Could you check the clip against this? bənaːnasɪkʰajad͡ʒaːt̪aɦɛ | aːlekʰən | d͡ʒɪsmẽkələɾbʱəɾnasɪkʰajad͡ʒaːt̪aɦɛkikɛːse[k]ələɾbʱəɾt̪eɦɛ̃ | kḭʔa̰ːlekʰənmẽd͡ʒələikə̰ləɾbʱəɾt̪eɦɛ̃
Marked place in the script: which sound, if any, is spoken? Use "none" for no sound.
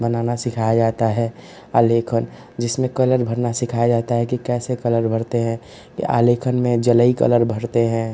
k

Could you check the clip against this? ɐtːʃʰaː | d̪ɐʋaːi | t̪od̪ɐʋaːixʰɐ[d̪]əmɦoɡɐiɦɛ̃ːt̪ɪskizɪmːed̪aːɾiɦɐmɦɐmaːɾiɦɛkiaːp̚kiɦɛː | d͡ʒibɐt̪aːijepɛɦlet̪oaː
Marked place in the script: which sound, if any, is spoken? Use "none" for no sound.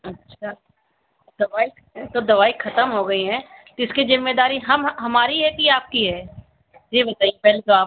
t̪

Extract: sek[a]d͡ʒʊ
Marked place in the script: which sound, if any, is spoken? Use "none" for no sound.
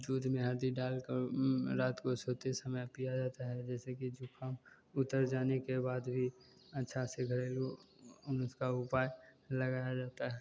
i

